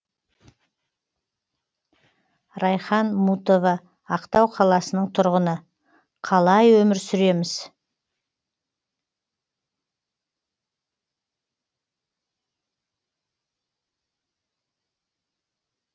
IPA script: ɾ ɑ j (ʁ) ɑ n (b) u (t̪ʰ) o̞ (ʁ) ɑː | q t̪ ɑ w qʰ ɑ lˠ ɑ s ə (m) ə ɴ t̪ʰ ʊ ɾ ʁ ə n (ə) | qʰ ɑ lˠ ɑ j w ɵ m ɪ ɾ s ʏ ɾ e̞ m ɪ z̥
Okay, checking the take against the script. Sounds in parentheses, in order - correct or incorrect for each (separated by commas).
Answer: incorrect, incorrect, incorrect, incorrect, incorrect, correct